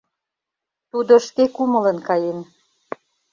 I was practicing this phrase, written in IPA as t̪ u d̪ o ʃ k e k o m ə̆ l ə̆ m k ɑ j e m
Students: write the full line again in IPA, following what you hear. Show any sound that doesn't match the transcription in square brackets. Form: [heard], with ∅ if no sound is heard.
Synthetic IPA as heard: t̪ u d̪ o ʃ k e k [u] m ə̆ l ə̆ [n] k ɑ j e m